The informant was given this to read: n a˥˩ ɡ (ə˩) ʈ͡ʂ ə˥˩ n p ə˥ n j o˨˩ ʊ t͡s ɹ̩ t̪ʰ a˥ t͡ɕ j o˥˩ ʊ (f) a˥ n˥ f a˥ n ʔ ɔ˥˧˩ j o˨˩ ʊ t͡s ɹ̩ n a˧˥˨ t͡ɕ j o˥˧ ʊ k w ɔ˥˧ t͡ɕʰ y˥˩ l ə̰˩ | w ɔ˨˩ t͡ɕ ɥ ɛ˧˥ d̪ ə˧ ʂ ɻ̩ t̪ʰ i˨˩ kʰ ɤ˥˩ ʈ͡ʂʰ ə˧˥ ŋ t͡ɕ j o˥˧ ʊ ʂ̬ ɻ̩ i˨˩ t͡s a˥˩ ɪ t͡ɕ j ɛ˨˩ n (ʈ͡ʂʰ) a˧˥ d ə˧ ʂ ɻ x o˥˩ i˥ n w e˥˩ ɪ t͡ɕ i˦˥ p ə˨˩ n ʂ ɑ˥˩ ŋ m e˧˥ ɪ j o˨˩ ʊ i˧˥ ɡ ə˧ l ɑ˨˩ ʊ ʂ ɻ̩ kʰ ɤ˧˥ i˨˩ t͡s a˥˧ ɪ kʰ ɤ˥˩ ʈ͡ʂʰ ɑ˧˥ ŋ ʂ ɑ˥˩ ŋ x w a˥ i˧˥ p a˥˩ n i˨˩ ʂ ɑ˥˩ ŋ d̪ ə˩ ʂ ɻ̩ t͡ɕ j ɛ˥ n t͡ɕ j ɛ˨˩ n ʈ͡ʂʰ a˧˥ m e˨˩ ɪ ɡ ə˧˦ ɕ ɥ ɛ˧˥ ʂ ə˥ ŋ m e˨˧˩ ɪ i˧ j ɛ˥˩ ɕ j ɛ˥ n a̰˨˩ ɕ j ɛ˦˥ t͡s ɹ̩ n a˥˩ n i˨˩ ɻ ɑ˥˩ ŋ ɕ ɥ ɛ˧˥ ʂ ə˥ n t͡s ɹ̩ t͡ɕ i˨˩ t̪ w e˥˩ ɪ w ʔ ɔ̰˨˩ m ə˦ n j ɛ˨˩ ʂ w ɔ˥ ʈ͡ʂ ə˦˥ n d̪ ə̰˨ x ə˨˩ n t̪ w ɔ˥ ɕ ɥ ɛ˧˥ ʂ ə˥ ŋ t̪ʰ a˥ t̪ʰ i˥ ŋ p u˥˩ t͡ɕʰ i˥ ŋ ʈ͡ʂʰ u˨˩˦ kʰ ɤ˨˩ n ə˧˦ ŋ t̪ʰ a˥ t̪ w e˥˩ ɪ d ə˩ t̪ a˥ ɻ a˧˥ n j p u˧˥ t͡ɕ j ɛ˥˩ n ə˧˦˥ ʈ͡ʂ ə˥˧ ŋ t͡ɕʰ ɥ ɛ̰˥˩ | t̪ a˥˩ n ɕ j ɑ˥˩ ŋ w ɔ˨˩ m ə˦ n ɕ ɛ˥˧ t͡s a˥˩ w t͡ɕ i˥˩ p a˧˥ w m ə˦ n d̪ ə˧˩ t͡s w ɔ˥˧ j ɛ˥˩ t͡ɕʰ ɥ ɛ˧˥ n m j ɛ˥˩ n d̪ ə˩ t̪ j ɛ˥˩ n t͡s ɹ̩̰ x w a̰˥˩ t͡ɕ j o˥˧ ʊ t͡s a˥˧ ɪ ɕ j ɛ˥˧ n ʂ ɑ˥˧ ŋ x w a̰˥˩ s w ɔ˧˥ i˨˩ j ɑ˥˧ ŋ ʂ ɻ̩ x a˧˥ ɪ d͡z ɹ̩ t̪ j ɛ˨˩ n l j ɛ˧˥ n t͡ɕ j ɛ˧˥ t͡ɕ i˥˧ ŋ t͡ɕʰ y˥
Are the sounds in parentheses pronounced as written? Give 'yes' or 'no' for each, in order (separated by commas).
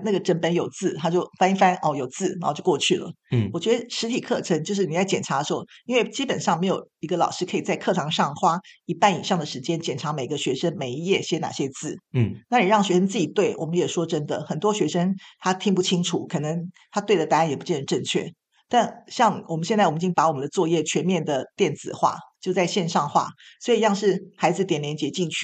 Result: yes, yes, yes